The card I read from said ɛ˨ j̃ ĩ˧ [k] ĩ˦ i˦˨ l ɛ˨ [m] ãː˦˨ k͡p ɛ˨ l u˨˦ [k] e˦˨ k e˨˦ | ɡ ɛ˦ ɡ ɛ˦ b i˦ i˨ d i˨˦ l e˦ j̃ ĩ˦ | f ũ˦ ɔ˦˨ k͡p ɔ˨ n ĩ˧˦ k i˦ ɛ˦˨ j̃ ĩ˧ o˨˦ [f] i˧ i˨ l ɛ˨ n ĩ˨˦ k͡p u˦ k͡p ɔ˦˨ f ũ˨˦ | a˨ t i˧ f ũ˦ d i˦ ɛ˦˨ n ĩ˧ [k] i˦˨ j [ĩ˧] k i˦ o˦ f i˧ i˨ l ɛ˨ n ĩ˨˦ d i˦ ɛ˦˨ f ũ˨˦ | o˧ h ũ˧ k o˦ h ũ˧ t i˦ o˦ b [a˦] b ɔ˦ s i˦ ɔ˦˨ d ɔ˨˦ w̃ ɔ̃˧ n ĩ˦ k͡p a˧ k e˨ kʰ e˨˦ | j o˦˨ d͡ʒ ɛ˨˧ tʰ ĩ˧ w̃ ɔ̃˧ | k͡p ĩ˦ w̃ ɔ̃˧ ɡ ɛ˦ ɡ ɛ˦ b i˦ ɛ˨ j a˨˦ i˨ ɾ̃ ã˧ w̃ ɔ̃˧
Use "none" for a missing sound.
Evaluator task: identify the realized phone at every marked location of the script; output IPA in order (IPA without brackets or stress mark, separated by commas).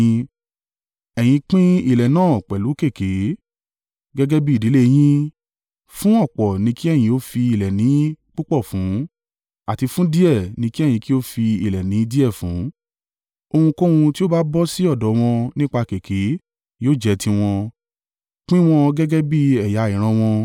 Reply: k͡p, n, k, f, k, ĩ˧, a˦